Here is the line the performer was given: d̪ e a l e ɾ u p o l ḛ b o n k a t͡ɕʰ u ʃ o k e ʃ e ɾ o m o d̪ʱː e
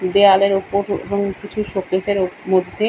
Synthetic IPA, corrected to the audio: d̪ e a l e ɾ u p o ɾ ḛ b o ŋ k i t͡ɕʰ u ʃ o k e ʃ e ɾ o m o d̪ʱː e